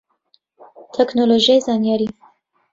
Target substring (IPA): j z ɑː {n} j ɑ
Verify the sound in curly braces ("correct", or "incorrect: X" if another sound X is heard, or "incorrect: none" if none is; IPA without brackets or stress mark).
correct